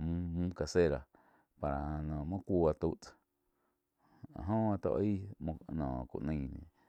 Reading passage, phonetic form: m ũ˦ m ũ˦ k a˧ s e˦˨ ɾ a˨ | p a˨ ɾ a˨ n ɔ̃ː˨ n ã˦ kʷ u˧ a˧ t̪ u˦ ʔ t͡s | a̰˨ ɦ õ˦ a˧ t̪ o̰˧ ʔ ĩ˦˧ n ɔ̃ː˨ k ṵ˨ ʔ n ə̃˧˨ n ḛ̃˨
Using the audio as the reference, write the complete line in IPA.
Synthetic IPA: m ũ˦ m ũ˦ k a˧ s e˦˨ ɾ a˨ | p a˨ ɾ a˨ n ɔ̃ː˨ m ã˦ kʷ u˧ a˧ t̪ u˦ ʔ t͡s | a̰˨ ɦ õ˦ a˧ t̪ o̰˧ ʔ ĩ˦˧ n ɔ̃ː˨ k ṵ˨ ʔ n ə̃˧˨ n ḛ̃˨